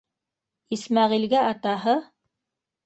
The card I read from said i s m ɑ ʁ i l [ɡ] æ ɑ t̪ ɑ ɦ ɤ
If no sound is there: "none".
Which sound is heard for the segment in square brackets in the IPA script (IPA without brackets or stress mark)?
ɡ